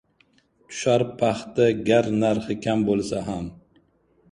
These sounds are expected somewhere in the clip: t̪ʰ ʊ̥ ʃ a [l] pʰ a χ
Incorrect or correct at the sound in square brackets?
incorrect: ɾ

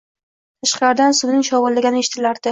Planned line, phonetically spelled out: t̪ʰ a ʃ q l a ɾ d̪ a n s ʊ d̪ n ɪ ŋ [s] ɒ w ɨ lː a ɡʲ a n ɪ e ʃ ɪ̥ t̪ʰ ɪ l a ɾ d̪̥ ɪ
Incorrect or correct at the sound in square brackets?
incorrect: ʃ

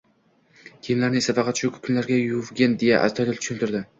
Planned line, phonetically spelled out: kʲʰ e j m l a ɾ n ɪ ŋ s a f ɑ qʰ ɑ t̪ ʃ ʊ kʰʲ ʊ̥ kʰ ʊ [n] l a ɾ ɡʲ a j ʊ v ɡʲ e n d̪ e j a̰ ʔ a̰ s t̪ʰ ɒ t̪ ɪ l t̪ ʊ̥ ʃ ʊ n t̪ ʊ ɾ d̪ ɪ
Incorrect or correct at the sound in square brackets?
correct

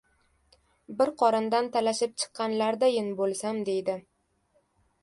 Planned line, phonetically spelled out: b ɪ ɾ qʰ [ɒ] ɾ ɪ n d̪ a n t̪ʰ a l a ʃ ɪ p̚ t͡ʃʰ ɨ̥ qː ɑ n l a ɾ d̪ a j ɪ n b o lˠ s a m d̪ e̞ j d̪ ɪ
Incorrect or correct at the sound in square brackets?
correct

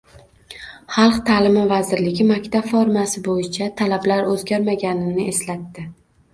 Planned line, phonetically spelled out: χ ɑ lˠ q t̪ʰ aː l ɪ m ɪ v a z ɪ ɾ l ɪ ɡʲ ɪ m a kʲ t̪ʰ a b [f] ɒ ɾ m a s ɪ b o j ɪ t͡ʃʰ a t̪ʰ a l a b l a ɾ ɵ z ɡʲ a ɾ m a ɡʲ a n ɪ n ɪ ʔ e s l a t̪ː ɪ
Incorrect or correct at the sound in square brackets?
correct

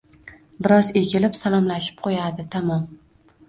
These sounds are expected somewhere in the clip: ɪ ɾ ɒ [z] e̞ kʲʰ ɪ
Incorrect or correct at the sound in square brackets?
correct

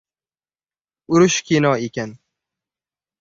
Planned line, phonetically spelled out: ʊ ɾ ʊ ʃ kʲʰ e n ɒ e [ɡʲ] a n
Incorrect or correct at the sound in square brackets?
incorrect: kʲ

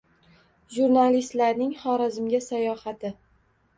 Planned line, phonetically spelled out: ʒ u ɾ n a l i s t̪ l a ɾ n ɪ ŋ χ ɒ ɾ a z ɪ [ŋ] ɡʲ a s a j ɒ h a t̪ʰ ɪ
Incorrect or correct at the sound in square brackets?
incorrect: m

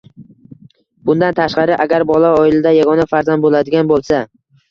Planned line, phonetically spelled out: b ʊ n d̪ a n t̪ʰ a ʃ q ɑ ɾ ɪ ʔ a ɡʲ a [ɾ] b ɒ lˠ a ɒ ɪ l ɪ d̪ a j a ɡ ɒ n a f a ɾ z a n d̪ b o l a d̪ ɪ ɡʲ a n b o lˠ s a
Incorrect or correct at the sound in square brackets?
correct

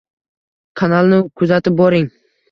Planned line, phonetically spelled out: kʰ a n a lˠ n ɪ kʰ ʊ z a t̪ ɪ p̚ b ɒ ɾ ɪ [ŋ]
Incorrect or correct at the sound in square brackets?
correct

